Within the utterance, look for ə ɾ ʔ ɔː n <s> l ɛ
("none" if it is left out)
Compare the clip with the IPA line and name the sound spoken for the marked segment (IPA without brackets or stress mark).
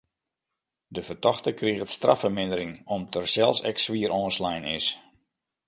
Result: s